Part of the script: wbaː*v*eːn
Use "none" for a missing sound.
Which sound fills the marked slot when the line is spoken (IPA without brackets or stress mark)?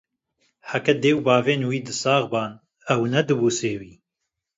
v